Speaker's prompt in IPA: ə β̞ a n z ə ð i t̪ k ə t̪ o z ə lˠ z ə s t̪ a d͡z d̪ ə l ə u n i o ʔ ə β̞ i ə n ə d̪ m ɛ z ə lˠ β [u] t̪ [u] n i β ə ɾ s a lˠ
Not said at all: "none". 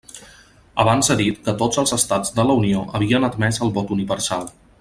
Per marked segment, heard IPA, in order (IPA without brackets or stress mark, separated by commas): ɔ, u